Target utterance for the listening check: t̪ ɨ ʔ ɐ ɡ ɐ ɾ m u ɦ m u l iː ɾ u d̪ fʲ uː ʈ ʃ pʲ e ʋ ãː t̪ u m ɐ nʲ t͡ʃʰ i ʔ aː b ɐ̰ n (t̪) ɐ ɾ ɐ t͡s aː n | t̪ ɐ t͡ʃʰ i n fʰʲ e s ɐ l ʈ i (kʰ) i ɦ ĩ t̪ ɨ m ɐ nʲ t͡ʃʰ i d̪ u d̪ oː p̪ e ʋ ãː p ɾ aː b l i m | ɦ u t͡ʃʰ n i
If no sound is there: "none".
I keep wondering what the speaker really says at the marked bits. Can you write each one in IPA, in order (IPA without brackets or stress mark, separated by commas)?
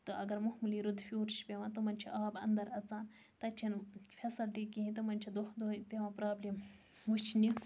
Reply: d̪, k